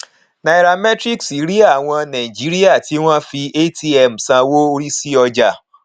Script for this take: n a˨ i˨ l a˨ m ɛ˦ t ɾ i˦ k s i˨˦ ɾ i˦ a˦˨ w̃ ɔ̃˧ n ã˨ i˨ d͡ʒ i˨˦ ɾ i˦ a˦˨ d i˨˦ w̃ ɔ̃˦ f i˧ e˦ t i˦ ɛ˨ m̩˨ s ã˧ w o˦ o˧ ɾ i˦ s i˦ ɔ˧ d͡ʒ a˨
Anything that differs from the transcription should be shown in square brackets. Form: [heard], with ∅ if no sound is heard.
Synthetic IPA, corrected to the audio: n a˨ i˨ [ɾ] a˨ m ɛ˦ t ɾ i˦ k s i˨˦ ɾ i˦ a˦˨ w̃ ɔ̃˧ n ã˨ i˨ d͡ʒ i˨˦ ɾ i˦ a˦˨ [t] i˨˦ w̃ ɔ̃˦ f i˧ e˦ t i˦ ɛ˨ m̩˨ s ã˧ w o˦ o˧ ɾ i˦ s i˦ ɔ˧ d͡ʒ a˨